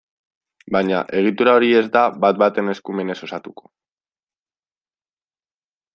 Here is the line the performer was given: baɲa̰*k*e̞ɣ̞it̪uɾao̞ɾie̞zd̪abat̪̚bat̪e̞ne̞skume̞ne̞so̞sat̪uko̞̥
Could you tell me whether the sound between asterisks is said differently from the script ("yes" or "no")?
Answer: yes